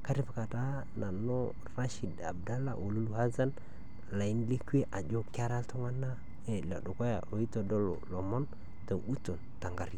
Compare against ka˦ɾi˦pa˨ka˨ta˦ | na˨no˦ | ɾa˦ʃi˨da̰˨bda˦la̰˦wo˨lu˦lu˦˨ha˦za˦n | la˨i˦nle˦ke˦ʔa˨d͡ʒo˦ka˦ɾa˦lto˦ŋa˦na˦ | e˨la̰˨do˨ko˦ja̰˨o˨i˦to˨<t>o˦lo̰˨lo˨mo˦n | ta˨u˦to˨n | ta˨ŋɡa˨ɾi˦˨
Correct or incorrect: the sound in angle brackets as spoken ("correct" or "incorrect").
incorrect